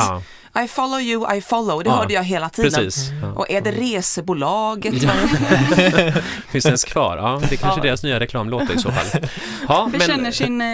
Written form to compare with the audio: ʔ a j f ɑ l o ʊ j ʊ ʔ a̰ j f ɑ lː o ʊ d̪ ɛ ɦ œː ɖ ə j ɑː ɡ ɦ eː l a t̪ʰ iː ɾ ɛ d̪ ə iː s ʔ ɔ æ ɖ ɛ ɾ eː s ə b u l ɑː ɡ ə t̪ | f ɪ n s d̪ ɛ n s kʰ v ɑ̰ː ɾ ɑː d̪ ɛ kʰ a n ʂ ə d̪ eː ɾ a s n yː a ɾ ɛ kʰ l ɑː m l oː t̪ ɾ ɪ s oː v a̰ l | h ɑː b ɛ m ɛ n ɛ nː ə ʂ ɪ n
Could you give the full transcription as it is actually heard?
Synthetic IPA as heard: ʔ a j f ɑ l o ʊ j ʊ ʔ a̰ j f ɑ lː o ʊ d̪ ɛ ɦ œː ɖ ə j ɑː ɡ ɦ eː l a t̪ʰ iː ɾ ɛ d̪ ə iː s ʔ ɔ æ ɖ ɛ ɾ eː s ə b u l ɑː ɡ ə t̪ | f ɪ n s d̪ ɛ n s kʰ v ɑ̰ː ɾ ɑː d̪ ɛ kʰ a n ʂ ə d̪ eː ɾ a s n yː a ɾ ɛ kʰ l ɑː m l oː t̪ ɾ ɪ s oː f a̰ l | h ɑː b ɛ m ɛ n ɛ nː ə ʂ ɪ n